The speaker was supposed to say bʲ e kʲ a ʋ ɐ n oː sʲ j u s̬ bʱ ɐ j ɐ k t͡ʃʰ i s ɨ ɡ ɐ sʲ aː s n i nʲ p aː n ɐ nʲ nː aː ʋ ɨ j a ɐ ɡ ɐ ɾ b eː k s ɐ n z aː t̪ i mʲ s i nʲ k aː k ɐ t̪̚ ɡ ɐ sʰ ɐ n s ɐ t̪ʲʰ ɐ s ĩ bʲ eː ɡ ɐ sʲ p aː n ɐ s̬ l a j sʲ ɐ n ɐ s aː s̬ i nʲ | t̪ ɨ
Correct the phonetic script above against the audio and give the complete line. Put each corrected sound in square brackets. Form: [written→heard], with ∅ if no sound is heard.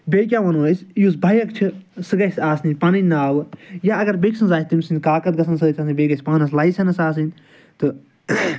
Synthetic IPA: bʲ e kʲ a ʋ ɐ n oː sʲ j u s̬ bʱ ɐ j ɐ k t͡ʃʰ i s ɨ ɡ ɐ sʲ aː s n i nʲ p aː n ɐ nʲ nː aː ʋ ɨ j a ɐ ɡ ɐ ɾ b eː k s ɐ n z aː t̪ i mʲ s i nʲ k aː k ɐ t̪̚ ɡ ɐ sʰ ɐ n s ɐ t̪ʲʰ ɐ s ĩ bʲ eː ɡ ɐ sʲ p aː n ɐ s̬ l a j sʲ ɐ n ɐ s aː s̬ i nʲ | t̪ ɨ

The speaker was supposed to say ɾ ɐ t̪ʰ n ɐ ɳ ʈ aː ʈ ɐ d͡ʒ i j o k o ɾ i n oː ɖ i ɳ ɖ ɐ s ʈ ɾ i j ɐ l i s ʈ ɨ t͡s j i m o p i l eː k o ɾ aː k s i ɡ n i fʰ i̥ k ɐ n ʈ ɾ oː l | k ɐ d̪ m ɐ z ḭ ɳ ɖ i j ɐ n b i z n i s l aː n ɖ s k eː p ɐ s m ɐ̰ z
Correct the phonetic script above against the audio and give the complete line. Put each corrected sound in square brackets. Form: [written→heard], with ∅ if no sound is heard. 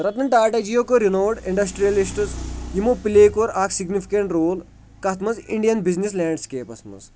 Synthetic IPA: ɾ ɐ [t̪ʰ→t̪] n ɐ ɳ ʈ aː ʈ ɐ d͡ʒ i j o k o ɾ i n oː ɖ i ɳ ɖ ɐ s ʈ ɾ i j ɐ l i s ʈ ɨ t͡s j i m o p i l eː k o ɾ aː k s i ɡ n i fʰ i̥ k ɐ [n→ɳ] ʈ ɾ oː l | k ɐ [d̪→t̪] m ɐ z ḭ ɳ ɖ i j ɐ n b i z n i s l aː [n→ɳ] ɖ s k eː p ɐ s m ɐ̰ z

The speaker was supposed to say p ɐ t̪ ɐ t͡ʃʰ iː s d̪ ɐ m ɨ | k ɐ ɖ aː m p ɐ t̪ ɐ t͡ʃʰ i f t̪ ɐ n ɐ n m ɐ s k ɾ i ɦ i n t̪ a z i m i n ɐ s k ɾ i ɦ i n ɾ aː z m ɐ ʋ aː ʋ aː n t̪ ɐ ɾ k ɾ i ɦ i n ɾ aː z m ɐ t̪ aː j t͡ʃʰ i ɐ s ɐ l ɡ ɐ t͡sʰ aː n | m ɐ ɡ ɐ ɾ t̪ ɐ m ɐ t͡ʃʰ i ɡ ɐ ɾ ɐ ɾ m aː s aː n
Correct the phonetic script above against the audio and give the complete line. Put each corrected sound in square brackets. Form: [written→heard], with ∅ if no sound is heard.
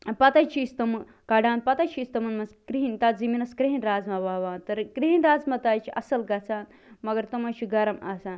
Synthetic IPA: p ɐ t̪ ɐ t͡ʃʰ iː s [d̪→t̪] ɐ m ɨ | k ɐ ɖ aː [m→n] p ɐ t̪ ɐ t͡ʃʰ i [f→s] t̪ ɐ [n→m] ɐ n m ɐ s k ɾ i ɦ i n t̪ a z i m i n ɐ s k ɾ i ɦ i n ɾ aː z m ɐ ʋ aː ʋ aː n t̪ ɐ ɾ k ɾ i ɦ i n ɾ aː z m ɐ t̪ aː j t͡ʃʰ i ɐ s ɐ l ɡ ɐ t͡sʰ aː n | m ɐ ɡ ɐ ɾ t̪ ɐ m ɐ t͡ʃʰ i ɡ ɐ ɾ ɐ [ɾ→∅] m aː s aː n

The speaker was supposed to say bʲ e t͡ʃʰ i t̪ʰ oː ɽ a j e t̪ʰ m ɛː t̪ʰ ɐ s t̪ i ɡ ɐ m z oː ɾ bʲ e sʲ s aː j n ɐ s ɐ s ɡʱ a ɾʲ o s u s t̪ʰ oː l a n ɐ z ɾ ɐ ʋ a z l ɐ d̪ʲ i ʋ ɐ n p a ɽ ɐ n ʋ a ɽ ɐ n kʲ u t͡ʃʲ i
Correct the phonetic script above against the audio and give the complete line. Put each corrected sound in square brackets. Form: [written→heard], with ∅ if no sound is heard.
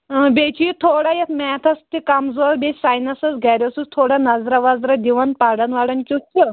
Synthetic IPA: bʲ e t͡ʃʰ i t̪ʰ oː ɽ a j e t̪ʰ m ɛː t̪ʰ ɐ s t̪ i [ɡ→k] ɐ m z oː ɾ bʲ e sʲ s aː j n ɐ s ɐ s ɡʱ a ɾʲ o s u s t̪ʰ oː [l→ɽ] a n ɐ z ɾ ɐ ʋ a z [l→ɾ] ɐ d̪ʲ i ʋ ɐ n p a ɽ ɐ n ʋ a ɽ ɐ n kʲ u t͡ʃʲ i

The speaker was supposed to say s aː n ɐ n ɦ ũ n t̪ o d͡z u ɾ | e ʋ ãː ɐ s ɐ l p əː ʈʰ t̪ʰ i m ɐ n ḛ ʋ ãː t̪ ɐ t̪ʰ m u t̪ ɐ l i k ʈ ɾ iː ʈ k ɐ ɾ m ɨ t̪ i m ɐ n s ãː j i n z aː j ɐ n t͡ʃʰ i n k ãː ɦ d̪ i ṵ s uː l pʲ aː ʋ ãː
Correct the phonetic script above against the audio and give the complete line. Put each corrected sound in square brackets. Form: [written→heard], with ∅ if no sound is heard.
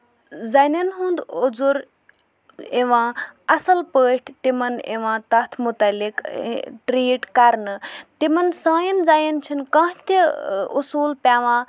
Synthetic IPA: [s→z] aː n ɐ n ɦ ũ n [t̪→d̪] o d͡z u ɾ | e ʋ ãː ɐ s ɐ l p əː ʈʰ [t̪ʰ→t̪] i m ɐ n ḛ ʋ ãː t̪ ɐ t̪ʰ m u t̪ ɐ l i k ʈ ɾ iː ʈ k ɐ ɾ [m→n] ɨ t̪ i m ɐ n s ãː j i n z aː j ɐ n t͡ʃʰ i n k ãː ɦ [d̪→t̪] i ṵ s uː l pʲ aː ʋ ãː

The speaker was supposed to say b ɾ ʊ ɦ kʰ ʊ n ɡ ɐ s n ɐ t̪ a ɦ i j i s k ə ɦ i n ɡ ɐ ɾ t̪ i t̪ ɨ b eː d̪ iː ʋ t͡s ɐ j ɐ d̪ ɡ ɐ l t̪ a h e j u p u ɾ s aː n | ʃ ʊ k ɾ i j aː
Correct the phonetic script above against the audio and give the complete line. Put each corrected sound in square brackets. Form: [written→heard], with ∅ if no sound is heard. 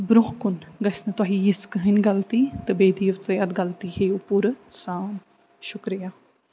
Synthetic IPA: b ɾ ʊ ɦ [kʰ→k] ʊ n ɡ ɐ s n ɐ t̪ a ɦ i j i s k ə ɦ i n ɡ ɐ [ɾ→l] t̪ i t̪ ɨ b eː d̪ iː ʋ t͡s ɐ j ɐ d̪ ɡ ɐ l t̪ [a→i] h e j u p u ɾ s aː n | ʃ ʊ k ɾ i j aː

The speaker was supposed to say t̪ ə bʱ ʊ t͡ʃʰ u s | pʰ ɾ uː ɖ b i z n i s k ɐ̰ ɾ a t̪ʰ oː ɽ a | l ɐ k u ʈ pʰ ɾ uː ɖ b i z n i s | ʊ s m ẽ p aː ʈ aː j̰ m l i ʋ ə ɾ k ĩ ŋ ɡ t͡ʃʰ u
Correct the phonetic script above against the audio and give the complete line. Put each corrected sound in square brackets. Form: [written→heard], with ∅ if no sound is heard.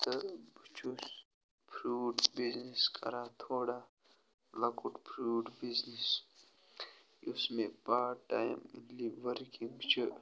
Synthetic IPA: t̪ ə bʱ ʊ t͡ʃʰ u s | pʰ ɾ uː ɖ b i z n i s k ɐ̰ ɾ a t̪ʰ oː ɽ a | l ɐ k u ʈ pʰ ɾ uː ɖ b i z n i s | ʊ s m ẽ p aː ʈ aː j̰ m l i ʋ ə ɾ k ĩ ŋ ɡ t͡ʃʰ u

